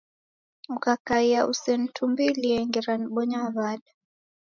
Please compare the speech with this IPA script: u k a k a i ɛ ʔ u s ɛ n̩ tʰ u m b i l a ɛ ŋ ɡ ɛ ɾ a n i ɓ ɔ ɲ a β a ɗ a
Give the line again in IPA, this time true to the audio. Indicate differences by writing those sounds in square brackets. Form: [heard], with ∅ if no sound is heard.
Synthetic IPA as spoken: u k a k a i [a] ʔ u s ɛ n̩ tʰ u m b i l [i] ɛ ŋ ɡ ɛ ɾ a n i ɓ ɔ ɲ a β a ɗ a